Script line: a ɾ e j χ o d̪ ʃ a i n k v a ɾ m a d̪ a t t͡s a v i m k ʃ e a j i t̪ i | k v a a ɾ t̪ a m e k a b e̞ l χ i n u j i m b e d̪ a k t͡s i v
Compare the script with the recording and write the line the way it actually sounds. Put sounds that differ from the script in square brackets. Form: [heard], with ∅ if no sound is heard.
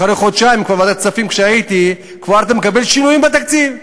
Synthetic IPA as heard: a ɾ e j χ o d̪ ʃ a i [m] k v a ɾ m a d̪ a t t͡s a [f] i m k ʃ e a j i t̪ i | k v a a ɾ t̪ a m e k a b e̞ l [ʃ] i n u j i m b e [t̪] a k t͡s i v